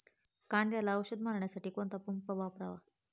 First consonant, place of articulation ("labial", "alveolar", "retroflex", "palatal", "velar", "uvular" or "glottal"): velar